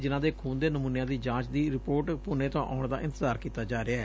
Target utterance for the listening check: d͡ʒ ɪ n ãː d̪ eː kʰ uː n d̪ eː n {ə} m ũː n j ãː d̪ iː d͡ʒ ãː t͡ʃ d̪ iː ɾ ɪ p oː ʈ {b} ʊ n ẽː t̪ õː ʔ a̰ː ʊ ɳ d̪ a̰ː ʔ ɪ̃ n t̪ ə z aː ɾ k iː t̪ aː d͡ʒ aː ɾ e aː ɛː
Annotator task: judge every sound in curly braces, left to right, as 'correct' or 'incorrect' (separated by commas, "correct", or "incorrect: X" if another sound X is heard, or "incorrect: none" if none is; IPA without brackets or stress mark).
correct, incorrect: p